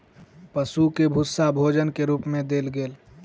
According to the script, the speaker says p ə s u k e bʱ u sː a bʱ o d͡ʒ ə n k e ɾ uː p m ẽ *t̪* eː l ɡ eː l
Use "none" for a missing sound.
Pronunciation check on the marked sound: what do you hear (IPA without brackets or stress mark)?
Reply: d̪